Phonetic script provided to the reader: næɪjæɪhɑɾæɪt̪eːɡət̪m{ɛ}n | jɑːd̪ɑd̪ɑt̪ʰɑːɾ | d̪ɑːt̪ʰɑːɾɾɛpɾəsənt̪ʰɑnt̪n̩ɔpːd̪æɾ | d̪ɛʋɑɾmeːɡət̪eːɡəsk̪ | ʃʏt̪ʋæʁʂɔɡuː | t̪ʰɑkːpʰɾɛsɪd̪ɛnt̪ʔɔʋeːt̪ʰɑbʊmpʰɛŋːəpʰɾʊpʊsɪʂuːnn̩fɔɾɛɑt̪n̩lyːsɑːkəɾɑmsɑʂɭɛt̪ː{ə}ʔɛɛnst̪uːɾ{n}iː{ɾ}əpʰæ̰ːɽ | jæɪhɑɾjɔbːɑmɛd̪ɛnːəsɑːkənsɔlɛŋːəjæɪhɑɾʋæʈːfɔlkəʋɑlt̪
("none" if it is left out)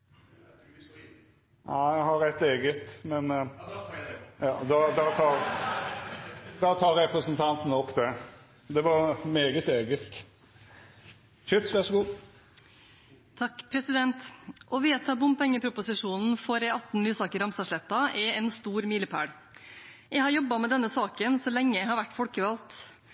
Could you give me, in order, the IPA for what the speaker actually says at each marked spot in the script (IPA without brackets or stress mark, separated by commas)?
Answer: ɛ, ɑ, m, l